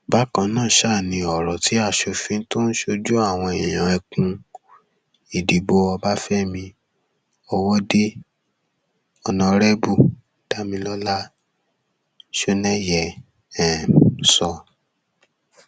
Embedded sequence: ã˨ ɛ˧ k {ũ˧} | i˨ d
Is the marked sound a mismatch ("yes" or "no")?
no